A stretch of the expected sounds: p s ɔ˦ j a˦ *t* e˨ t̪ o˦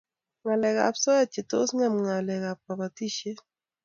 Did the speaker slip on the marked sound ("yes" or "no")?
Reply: yes